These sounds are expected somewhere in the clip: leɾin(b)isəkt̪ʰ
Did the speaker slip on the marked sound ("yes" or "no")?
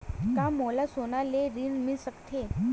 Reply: yes